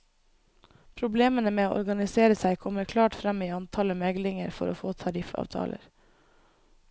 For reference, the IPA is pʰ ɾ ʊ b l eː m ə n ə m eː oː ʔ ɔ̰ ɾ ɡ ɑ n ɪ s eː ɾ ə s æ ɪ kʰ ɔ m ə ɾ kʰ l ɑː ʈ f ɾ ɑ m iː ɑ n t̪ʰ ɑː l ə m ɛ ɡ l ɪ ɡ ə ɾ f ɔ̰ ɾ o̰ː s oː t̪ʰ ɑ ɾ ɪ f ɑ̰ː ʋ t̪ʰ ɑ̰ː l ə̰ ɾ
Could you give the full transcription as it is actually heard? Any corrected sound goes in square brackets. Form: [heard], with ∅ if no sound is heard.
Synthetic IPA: pʰ ɾ ʊ b l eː m ə n ə m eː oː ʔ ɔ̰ ɾ ɡ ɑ n ɪ s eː ɾ ə s æ ɪ kʰ ɔ m ə ɾ kʰ l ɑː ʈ f ɾ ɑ m iː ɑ n t̪ʰ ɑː l ə m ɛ ɡ l ɪ [ŋ] ə ɾ f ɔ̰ ɾ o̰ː [f] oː t̪ʰ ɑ ɾ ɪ f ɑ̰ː ʋ t̪ʰ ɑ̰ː l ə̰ ɾ